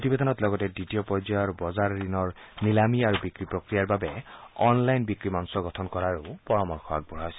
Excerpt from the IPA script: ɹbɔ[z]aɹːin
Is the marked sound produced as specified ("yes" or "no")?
yes